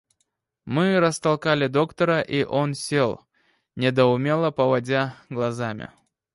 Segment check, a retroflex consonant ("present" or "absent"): absent